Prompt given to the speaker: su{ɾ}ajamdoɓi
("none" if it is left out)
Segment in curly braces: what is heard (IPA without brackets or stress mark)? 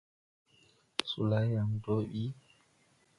l